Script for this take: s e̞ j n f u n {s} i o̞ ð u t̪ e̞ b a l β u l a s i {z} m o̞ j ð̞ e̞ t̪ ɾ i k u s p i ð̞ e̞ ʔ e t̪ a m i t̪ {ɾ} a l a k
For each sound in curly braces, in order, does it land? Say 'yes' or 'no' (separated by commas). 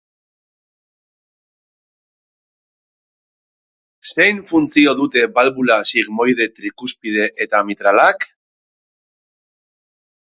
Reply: no, no, yes